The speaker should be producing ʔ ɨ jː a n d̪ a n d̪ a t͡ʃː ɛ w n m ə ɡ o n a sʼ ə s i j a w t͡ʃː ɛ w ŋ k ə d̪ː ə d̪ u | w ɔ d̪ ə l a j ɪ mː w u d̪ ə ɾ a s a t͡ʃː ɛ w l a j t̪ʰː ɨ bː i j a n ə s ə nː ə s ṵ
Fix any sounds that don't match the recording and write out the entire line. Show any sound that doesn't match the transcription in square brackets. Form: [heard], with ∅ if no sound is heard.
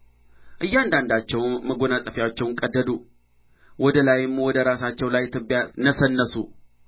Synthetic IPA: ʔ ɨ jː a n d̪ a n d̪ a t͡ʃː ɛ w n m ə ɡ o n a sʼ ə [f] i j a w t͡ʃː ɛ w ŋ [kʼ] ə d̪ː ə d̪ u | w ɔ d̪ ə l a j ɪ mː w [ɔ] d̪ ə ɾ a s a t͡ʃː ɛ w l a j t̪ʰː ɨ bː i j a n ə s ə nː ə s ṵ

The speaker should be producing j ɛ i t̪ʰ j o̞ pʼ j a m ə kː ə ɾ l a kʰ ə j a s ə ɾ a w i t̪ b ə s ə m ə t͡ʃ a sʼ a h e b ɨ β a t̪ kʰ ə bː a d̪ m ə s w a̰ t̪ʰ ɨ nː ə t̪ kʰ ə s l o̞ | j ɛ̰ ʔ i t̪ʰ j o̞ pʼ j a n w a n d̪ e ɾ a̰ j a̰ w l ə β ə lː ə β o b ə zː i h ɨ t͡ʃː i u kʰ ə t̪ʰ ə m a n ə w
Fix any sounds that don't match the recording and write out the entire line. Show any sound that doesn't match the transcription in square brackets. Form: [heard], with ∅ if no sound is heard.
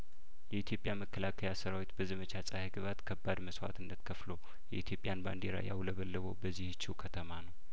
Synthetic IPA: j ɛ i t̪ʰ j o̞ pʼ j a m ə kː ə [∅] l a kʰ ə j a s ə ɾ a w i t̪ b ə [z] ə m ə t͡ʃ a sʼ a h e [ɡ] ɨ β a t̪ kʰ ə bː a d̪ m ə s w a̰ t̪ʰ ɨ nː ə t̪ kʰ ə [f] l o̞ | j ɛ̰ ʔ i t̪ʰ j o̞ pʼ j a n [b] a n d̪ e ɾ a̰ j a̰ w l ə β ə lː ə β o b ə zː i h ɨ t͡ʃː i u kʰ ə t̪ʰ ə m a n ə w

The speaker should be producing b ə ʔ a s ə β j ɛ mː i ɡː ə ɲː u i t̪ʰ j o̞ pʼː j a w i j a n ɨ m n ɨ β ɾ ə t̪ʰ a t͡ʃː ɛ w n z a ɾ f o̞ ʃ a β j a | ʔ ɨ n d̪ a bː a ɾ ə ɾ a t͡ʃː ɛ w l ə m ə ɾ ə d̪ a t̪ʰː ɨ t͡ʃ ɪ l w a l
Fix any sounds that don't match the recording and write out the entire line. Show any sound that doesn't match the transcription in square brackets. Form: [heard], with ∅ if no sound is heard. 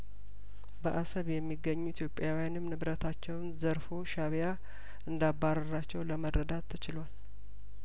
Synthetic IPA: b ə ʔ a s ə β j ɛ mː i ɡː ə ɲː u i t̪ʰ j o̞ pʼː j a w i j a n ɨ m n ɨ β ɾ ə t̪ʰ a t͡ʃː ɛ w n z [ə] ɾ f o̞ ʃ a β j a | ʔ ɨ n d̪ a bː a ɾ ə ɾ a t͡ʃː ɛ w l ə m ə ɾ ə d̪ a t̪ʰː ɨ t͡ʃ ɪ l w a l

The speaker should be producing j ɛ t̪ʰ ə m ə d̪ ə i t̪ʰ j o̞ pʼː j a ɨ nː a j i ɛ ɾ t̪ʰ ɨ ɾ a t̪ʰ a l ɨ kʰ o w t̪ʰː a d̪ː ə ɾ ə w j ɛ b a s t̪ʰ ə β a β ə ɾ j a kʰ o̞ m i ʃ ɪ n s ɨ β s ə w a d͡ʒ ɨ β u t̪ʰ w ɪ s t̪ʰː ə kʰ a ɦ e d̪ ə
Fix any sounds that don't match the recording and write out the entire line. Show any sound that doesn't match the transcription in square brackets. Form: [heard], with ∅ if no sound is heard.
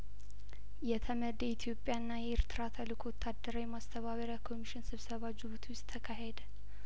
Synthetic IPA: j ɛ t̪ʰ ə m ə d̪ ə i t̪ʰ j o̞ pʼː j a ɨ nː a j [ɛ] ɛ ɾ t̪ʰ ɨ ɾ a t̪ʰ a l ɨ kʰ o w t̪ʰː a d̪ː ə ɾ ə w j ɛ [m] a s t̪ʰ ə β a β ə ɾ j a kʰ o̞ m i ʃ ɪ n s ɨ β s ə [β] a d͡ʒ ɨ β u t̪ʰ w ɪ s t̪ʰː ə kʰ a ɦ e d̪ ə

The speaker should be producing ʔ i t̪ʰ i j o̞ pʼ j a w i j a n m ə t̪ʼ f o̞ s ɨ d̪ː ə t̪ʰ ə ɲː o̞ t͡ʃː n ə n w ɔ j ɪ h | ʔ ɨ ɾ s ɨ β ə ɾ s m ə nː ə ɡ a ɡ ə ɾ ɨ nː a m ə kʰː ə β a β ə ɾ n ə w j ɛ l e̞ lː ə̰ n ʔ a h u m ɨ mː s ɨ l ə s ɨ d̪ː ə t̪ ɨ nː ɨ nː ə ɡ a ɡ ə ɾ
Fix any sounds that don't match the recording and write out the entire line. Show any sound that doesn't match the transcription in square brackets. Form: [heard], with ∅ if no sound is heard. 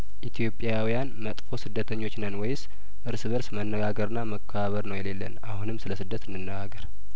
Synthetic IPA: ʔ i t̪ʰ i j o̞ pʼ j a w i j a n m ə t̪ʼ f o̞ s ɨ d̪ː ə t̪ʰ ə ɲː o̞ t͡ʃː n ə n w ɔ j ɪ [s] | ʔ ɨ ɾ s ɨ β ə ɾ s m ə nː ə ɡ a ɡ ə ɾ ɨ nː a m ə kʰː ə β a β ə ɾ n ə w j ɛ l e̞ lː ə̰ n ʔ a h u [n] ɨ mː s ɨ l ə s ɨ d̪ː ə t̪ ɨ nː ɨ nː ə ɡ a ɡ ə ɾ

